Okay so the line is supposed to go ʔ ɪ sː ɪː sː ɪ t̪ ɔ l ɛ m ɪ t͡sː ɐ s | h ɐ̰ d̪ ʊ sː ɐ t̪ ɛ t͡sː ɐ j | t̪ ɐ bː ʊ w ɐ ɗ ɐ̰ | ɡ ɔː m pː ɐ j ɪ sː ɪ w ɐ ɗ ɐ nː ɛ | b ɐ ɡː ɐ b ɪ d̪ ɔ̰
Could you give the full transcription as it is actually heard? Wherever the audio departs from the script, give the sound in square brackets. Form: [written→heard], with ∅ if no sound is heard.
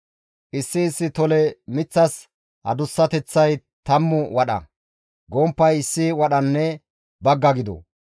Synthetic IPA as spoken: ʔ ɪ sː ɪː sː ɪ t̪ ɔ l ɛ m ɪ t͡sː ɐ s | h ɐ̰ d̪ ʊ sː ɐ t̪ ɛ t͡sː ɐ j | t̪ ɐ [bː→mː] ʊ w ɐ ɗ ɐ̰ | ɡ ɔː m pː ɐ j ɪ sː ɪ w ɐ ɗ ɐ nː ɛ | b ɐ ɡː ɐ [b→ɡ] ɪ d̪ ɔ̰